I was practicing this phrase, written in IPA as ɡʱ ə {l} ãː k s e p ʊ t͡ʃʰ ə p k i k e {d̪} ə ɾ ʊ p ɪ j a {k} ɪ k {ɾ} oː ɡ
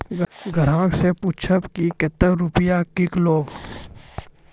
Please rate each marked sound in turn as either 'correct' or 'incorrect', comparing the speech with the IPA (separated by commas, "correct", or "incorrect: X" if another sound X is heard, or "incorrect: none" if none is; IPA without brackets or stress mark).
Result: incorrect: ɾ, incorrect: t̪, correct, incorrect: l